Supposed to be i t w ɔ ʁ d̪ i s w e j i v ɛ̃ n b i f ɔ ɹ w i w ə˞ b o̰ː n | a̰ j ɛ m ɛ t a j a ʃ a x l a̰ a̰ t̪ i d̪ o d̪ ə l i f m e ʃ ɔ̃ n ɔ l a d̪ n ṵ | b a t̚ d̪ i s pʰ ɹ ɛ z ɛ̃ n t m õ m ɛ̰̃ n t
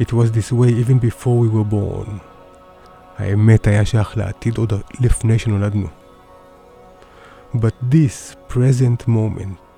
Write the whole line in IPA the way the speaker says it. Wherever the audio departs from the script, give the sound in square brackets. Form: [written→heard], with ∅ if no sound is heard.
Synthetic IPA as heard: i t w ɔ [ʁ→z] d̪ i s w e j i v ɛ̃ n b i f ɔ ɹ w i w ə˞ b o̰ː n | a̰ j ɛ m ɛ t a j a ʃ a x l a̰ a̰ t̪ i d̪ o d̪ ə l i f [m→n] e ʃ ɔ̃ n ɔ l a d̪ n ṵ | b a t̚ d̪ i s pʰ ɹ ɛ z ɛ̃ n t m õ m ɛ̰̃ n t